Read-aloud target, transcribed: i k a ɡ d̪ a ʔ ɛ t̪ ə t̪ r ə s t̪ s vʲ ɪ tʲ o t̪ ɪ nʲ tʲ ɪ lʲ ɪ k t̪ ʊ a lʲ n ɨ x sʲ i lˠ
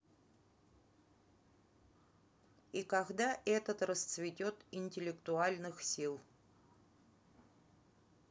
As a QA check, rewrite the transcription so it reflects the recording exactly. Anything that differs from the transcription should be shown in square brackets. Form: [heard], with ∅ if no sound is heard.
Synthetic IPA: i k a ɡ d̪ a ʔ ɛ t̪ ə t̪ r ə s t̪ s vʲ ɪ tʲ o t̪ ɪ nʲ tʲ ɪ lʲ ɪ k t̪ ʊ a lʲ n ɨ x sʲ i lˠ